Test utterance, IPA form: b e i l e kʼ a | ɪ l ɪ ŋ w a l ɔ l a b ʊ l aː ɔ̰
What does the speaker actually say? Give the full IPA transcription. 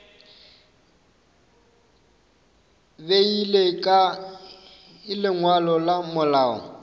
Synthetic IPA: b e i l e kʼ a | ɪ l ɪ ŋ w a l ɔ l a m ʊ l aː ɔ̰